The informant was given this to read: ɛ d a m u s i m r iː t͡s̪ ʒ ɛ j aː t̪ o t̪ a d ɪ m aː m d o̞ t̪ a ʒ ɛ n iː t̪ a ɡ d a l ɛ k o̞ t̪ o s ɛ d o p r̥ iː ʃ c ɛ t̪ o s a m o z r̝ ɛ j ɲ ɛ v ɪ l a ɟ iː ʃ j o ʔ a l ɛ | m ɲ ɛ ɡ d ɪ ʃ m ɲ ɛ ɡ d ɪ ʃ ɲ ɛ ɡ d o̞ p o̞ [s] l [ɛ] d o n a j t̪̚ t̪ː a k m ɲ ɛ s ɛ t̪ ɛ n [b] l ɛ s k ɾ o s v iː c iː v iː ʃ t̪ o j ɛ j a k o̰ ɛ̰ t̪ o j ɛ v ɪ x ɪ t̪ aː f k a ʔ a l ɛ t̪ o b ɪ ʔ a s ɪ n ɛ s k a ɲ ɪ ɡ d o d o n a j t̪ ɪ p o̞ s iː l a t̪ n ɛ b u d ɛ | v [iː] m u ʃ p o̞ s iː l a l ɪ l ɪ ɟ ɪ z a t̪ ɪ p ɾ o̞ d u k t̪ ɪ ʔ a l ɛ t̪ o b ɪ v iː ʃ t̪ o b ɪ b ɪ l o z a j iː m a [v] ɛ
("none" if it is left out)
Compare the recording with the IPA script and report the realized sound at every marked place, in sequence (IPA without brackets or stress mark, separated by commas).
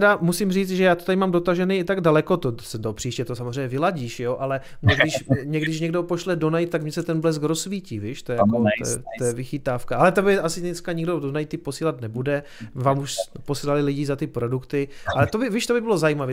ʃ, ɛ, b, aː, v